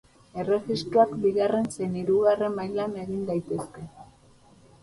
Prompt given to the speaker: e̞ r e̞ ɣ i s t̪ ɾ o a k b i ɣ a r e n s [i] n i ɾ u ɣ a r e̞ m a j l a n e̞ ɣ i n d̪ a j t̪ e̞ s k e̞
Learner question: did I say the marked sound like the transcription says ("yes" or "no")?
no